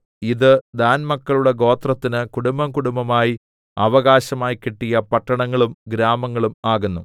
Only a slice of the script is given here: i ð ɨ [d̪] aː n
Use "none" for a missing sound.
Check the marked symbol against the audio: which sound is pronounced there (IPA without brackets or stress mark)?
d̪